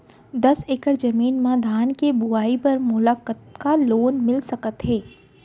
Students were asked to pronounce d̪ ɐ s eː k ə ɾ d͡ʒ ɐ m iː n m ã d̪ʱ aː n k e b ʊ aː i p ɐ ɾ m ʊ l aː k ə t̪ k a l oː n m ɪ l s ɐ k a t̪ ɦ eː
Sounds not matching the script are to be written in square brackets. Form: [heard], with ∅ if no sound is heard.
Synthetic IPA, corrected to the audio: d̪ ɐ s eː k ə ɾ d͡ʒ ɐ m iː n m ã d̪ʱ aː n k e b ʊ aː i p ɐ ɾ m ʊ l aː k ə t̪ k a l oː n m ɪ l s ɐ k [ə] t̪ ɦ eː